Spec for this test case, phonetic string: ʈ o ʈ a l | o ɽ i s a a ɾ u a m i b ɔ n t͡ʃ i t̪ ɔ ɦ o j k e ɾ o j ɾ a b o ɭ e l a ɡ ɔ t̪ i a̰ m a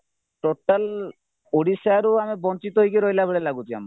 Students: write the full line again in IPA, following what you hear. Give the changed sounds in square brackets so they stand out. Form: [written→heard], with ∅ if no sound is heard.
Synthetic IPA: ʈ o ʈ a l | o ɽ i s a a ɾ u a m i b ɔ n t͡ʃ i t̪ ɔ ɦ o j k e ɾ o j [ɾ→l] a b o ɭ e l a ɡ [ɔ→u] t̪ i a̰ m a